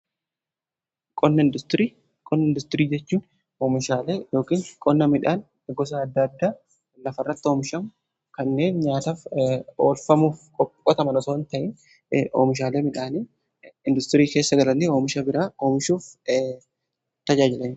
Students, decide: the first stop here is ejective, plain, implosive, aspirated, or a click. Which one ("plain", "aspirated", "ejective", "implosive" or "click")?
ejective